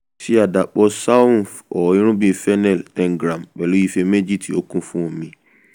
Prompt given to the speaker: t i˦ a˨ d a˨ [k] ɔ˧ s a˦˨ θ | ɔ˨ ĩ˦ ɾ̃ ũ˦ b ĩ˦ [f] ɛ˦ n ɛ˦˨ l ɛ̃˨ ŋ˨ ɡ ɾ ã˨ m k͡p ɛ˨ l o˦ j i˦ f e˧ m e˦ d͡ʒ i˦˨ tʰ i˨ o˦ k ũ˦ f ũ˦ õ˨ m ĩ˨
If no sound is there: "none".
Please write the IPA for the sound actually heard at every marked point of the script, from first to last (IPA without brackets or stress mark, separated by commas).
k͡p, f